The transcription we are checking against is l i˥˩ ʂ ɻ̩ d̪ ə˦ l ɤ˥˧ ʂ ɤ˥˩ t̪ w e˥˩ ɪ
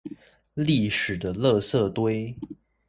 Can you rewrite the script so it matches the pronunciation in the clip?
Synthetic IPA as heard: l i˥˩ ʂ ɻ̩ d̪ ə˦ l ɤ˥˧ s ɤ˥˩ t̪ w e˥ ɪ